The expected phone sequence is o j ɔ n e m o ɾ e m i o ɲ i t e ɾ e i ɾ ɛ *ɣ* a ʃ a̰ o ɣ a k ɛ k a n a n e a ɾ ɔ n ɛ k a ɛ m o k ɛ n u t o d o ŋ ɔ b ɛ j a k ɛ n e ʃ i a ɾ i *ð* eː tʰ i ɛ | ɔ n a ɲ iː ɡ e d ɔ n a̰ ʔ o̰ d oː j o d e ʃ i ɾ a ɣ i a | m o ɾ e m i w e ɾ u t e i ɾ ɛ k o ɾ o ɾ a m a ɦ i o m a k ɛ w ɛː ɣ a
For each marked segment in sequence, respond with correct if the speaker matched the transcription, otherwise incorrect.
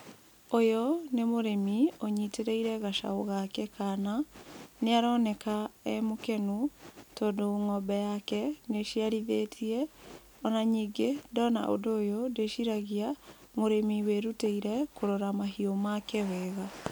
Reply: correct, correct

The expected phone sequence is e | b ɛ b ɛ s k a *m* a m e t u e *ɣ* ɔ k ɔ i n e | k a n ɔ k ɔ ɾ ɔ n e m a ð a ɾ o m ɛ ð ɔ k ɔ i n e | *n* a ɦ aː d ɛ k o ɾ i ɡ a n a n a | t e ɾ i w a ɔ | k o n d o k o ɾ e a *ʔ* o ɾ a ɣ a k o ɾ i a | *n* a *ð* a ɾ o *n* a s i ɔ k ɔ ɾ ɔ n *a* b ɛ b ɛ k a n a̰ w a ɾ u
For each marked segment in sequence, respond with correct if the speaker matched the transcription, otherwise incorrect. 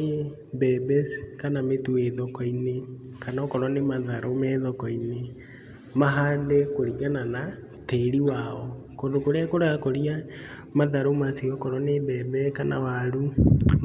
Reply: incorrect: n, incorrect: ð, incorrect: m, incorrect: k, incorrect: m, correct, incorrect: m, incorrect: e

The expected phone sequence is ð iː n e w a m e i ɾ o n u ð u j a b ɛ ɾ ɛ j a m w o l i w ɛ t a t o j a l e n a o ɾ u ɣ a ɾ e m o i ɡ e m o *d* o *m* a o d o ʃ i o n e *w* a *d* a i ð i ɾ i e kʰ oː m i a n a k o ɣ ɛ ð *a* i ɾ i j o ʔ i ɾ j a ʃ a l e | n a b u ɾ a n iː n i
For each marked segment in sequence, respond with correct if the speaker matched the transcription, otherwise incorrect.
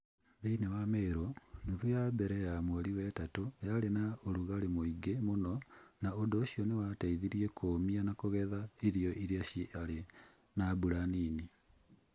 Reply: incorrect: n, incorrect: n, correct, incorrect: t, correct

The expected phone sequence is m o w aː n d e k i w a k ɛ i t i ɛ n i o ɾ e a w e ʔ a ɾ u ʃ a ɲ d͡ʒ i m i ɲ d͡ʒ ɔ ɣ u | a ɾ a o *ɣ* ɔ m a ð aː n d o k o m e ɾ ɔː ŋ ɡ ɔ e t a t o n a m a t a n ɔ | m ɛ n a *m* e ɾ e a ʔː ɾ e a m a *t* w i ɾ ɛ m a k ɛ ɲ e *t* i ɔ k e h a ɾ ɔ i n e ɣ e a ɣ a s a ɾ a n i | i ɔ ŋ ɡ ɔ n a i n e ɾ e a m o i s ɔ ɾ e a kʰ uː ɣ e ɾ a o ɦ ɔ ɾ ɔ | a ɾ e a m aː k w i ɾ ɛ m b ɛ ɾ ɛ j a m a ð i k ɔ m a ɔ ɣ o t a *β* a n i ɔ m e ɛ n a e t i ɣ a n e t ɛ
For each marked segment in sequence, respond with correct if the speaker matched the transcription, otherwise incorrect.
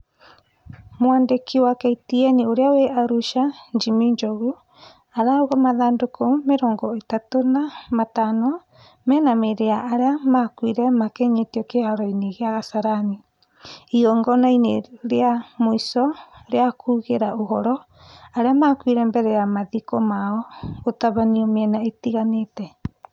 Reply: correct, correct, incorrect: k, correct, correct

